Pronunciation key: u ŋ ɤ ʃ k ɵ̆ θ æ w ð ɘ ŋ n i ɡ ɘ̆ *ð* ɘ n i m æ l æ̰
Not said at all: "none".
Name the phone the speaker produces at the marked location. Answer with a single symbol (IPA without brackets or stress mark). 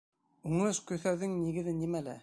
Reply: ð